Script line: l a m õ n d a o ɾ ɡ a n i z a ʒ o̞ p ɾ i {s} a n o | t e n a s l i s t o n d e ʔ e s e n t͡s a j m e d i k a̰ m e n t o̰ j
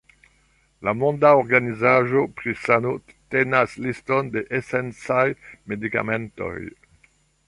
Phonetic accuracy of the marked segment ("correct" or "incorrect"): correct